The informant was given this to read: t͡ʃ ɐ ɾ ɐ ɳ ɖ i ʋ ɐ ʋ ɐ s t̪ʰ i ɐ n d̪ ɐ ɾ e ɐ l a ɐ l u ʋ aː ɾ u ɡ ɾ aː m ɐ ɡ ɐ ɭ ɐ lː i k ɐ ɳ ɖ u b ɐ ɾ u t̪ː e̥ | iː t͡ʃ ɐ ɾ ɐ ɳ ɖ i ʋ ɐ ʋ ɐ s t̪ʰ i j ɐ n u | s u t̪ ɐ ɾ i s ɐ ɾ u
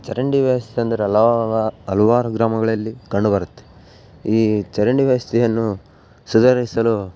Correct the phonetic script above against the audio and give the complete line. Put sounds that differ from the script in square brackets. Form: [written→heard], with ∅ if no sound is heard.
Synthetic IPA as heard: t͡ʃ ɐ ɾ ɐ ɳ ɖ i ʋ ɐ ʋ ɐ s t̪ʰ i ɐ n d̪ ɐ ɾ e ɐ l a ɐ l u ʋ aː ɾ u ɡ ɾ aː m ɐ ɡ ɐ ɭ ɐ lː i k ɐ ɳ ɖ u b ɐ ɾ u t̪ː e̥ | iː t͡ʃ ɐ ɾ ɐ ɳ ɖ i ʋ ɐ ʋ ɐ s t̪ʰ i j ɐ [n→nː] u | s u [t̪→d̪] ɐ ɾ i s ɐ [ɾ→l] u